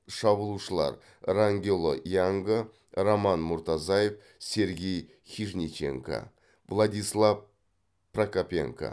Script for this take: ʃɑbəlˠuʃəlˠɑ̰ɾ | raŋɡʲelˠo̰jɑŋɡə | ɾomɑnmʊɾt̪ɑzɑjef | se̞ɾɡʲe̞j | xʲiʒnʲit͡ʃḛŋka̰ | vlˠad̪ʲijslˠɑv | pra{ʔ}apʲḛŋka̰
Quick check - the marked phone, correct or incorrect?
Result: incorrect